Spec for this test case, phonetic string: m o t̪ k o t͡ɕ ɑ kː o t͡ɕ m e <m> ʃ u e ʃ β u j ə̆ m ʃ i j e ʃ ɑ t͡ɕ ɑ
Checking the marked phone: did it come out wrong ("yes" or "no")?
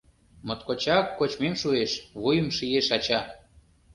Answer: no